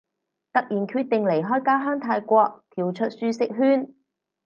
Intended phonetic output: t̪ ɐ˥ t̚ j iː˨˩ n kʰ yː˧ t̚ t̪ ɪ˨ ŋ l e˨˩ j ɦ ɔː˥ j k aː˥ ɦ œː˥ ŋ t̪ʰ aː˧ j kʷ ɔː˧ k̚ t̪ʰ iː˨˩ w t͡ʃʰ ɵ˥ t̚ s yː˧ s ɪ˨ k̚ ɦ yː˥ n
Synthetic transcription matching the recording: t̪ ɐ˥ k̚ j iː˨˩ n kʰ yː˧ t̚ t̪ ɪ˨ ŋ l e˨˩ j ɦ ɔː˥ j k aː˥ ɦ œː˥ ŋ t̪ʰ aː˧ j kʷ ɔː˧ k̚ t̪ʰ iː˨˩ w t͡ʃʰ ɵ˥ t̚ s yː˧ s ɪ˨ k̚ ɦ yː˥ n